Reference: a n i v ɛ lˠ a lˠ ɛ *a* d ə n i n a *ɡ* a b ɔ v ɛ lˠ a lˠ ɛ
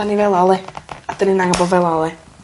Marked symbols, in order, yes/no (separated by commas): yes, no